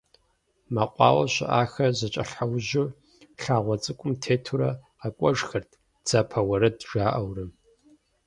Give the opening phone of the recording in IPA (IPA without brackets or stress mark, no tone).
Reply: m